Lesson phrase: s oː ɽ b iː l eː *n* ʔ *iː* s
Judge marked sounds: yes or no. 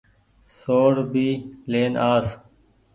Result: yes, no

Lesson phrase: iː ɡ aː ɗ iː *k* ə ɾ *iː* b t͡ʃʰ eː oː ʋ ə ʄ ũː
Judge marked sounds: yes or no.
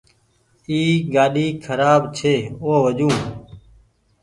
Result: no, no

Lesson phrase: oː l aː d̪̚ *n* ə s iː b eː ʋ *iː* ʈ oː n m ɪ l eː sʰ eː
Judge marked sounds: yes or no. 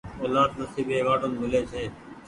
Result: yes, no

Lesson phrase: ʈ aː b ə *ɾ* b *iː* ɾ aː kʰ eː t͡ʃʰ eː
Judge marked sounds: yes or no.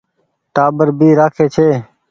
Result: yes, yes

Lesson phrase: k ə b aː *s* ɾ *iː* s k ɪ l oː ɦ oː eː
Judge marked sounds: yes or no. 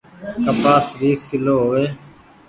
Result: yes, yes

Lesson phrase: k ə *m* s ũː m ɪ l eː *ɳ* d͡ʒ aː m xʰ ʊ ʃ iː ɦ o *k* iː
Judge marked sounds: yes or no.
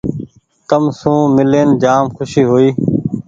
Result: yes, no, no

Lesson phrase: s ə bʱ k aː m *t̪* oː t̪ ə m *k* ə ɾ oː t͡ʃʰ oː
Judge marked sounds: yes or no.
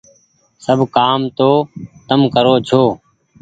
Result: yes, yes

